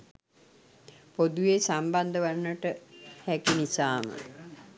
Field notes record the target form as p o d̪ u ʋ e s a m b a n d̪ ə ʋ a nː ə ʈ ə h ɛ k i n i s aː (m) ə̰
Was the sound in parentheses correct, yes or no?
yes